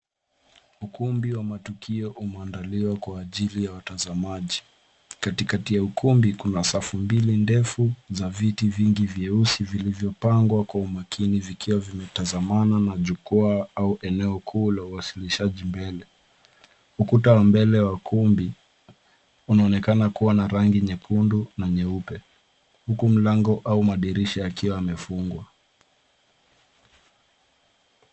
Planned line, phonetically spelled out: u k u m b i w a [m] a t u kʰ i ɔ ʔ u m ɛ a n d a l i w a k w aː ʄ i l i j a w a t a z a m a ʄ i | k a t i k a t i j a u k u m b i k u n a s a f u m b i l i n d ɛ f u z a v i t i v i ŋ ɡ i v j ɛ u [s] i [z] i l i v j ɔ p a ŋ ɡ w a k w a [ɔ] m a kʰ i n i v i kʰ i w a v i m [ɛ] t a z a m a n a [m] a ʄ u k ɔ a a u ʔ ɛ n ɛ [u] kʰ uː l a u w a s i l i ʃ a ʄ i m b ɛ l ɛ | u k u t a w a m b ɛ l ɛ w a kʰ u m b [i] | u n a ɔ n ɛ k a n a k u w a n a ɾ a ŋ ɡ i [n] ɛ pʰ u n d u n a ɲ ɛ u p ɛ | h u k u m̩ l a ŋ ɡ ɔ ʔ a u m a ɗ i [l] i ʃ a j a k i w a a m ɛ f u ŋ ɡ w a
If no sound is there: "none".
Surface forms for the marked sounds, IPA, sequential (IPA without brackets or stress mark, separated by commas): m, s, v, u, ɛ, n, ɔ, i, ɲ, ɾ